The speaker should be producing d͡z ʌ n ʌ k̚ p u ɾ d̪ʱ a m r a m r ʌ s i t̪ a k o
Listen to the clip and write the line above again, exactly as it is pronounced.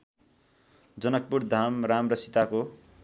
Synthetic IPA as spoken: d͡z ʌ n ʌ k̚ p u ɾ d̪ʱ a m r a m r ʌ s i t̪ a k o